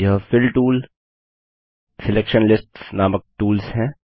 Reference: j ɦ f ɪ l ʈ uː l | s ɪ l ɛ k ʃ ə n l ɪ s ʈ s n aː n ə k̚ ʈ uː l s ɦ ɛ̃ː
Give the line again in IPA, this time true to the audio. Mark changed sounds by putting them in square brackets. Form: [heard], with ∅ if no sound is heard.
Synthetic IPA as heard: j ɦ f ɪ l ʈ uː l | s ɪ l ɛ k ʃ ə n l ɪ s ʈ s n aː [m] ə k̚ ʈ uː l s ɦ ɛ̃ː